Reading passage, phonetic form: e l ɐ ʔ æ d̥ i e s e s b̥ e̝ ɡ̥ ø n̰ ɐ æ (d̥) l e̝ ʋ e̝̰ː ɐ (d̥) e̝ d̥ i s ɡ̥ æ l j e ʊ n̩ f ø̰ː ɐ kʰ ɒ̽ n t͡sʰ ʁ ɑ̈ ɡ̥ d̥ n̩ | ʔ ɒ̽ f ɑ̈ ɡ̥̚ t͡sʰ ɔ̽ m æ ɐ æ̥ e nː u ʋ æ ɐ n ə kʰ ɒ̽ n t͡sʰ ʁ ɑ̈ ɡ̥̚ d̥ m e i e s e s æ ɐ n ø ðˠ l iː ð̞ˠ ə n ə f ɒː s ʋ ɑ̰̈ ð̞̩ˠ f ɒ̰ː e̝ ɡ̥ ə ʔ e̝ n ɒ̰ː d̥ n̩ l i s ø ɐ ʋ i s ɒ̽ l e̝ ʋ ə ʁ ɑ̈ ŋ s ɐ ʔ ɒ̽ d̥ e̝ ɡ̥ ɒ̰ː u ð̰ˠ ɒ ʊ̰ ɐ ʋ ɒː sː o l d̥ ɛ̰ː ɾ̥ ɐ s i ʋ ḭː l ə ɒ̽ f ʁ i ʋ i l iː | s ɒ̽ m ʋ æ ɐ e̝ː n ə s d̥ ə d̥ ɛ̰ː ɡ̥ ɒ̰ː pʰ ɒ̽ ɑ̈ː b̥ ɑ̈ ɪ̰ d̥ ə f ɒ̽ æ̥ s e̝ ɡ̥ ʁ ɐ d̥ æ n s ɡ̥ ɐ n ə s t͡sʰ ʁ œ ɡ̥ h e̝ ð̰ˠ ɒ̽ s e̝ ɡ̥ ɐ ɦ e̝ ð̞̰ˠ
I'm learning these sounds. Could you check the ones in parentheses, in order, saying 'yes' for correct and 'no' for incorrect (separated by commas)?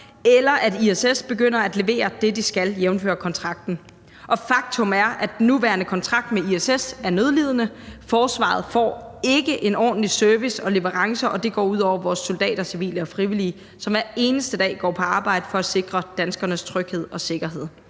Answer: yes, yes